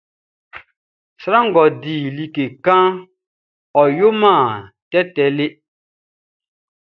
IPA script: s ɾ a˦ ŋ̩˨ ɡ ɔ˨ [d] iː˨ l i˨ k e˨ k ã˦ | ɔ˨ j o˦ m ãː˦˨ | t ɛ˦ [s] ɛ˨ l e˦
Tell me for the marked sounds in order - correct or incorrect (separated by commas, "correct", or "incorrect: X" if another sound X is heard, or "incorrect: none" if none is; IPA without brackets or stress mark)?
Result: correct, incorrect: t